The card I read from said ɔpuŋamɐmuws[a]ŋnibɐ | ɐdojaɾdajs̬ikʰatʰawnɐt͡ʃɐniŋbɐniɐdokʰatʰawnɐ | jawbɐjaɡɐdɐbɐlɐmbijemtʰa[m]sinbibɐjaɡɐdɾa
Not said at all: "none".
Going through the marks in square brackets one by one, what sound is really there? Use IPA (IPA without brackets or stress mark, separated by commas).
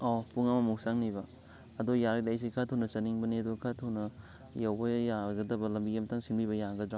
a, ŋ